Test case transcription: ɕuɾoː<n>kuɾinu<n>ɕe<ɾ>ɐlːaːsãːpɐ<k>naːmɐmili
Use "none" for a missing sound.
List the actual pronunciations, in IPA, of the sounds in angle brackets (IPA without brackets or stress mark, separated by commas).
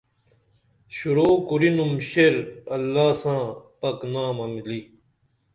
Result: none, m, ɾ, k